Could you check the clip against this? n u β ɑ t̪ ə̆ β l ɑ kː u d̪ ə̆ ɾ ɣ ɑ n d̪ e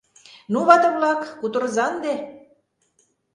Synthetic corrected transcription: n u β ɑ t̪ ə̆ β l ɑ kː u t̪ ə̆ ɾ z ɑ n d̪ e